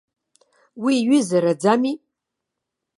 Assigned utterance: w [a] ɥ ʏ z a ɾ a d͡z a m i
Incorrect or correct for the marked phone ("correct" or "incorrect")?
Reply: incorrect